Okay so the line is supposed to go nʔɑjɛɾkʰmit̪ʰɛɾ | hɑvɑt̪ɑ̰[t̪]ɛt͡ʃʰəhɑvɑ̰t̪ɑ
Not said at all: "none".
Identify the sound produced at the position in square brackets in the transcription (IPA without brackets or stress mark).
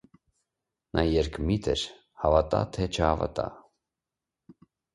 t̪ʰ